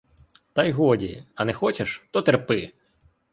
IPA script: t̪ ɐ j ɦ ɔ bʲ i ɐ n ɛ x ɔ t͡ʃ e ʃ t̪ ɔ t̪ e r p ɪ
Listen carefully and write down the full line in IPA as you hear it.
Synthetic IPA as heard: t̪ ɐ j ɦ ɔ dʲ i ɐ n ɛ x ɔ t͡ʃ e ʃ t̪ ɔ t̪ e r p ɪ